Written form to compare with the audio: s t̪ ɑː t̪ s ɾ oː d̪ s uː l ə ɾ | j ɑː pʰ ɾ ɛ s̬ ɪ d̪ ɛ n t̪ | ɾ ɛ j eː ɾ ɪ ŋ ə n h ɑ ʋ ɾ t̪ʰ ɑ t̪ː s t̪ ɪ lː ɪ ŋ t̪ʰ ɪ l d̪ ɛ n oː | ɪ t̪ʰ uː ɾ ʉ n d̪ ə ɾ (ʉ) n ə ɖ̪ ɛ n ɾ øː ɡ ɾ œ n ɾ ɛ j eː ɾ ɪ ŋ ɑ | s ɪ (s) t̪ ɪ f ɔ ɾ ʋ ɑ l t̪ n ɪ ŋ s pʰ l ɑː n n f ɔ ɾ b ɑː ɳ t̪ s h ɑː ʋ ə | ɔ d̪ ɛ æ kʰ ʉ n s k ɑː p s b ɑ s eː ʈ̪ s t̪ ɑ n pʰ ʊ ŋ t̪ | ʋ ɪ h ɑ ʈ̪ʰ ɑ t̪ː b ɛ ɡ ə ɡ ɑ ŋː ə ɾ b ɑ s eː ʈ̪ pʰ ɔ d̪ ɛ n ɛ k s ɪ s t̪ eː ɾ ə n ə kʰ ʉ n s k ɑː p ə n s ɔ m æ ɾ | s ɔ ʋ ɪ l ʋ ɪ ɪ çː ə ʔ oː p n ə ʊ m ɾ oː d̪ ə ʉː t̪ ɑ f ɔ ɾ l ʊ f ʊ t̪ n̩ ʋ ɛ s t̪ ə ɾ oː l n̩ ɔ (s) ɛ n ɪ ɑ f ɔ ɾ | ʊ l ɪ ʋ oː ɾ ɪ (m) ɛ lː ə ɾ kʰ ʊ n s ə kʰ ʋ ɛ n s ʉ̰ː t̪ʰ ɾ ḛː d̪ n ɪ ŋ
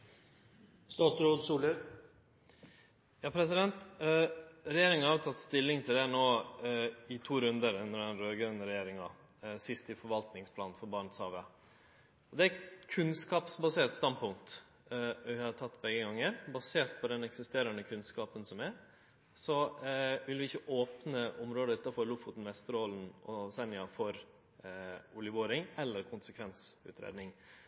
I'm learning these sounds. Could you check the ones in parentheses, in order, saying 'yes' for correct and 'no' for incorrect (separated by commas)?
yes, yes, yes, no